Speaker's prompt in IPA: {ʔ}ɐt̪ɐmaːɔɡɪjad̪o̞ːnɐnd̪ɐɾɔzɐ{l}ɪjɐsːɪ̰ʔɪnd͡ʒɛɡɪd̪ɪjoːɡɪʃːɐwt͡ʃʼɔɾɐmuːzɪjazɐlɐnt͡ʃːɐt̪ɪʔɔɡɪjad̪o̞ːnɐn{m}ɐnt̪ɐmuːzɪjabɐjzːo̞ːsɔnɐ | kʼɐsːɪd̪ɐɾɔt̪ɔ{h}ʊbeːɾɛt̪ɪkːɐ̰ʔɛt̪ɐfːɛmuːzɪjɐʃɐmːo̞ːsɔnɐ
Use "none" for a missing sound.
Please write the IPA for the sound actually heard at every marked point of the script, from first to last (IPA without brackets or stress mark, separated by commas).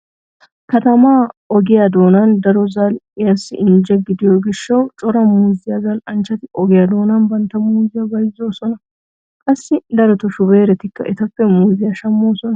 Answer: k, l, b, ʃ